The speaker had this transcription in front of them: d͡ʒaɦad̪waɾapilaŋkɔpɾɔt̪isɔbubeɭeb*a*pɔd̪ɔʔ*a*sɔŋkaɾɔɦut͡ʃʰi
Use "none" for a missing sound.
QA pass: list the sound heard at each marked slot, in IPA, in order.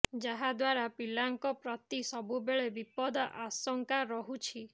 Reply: i, a

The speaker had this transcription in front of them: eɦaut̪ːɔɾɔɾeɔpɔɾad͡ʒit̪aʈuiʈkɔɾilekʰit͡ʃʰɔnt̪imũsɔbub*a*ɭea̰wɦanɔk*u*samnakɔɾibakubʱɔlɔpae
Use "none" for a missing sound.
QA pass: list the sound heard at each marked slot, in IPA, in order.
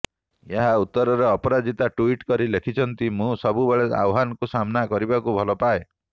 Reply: e, u

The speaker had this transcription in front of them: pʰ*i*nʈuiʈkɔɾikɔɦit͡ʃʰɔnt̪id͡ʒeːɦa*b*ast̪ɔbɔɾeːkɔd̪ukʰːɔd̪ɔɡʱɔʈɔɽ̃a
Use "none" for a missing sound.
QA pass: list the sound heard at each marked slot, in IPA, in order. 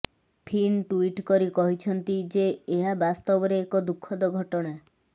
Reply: i, b

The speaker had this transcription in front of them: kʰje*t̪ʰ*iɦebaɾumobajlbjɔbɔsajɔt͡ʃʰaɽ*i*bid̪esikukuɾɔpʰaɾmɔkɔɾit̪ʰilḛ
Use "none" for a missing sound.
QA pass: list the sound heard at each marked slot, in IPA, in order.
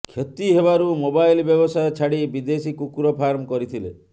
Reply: t̪, i

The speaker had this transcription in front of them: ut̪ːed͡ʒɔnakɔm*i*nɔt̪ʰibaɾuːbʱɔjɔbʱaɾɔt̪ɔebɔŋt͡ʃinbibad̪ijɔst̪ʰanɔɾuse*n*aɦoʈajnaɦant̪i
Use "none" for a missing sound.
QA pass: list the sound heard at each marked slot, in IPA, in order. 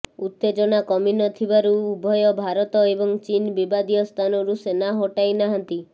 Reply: i, n

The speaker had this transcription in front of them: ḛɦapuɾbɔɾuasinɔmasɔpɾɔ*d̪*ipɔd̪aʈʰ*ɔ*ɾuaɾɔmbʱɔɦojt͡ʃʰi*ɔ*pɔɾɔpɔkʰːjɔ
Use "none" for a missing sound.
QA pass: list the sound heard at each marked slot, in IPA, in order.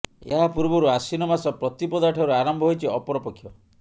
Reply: t̪, ɔ, ɔ

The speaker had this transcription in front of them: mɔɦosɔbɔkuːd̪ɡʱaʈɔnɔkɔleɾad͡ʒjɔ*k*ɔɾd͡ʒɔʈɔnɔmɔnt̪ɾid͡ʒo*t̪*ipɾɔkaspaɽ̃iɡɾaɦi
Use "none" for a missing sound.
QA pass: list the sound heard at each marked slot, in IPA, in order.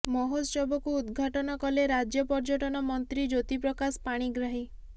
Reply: p, t̪

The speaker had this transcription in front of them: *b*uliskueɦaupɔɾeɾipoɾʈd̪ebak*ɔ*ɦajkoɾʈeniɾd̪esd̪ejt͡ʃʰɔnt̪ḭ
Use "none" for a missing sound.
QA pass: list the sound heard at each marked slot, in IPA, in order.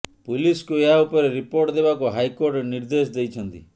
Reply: p, u

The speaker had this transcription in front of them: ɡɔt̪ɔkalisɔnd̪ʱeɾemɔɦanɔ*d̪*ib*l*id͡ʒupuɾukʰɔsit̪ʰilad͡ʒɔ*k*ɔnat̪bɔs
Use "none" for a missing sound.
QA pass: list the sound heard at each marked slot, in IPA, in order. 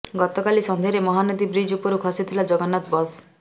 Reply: d̪, ɾ, ɡ

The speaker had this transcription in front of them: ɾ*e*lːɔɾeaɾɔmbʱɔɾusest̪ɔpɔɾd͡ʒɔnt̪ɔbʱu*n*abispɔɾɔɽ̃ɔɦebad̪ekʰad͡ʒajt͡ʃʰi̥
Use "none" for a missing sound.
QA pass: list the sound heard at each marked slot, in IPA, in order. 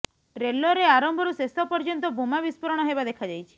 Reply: e, m

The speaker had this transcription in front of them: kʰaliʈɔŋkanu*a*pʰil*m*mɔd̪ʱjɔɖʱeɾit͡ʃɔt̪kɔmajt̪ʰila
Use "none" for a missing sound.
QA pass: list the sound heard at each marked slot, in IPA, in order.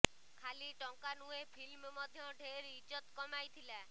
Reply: e, m

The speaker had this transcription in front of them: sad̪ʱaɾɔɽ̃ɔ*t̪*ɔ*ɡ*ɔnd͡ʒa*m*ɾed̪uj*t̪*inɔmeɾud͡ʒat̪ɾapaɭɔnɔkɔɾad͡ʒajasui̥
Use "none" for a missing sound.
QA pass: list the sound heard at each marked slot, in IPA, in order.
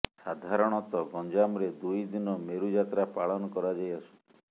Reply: t̪, ɡ, m, d̪

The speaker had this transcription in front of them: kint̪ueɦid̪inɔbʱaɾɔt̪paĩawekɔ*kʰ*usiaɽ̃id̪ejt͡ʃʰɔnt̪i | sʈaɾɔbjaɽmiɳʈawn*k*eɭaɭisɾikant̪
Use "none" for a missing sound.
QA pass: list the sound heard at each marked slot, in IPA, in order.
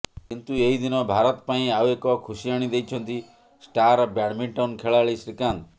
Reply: kʰ, kʰ

